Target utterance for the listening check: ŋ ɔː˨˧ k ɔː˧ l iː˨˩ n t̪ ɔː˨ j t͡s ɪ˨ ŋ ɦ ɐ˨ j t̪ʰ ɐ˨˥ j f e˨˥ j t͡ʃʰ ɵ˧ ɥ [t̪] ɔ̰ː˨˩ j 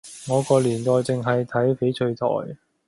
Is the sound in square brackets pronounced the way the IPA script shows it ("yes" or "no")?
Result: no